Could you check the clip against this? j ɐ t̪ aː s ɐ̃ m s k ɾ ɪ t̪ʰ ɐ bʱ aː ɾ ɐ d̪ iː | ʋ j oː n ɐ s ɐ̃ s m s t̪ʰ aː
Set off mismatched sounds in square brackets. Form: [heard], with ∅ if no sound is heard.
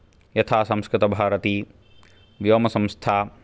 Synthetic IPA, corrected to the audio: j ɐ [t̪ʰ] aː s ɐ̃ m s k ɾ ɪ [t̪] ɐ bʱ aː ɾ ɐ [t̪] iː | ʋ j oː [m] ɐ s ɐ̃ [∅] m s t̪ʰ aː